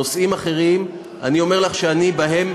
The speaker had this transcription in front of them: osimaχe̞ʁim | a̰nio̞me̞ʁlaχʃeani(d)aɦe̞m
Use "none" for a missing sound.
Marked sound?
b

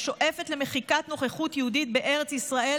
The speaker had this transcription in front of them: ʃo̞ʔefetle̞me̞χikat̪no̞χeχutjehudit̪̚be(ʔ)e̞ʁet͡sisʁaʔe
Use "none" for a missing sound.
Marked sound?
ʔ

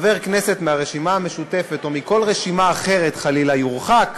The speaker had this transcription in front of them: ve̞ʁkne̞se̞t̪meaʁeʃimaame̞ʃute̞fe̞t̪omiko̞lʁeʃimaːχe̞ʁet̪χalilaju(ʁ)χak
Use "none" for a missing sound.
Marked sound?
ʁ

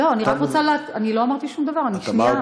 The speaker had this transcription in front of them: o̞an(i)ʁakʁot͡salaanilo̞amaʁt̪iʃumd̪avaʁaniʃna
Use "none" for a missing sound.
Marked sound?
i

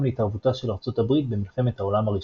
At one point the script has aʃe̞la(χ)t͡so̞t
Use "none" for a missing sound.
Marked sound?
ʁ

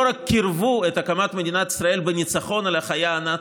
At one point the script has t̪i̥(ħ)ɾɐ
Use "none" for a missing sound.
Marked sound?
s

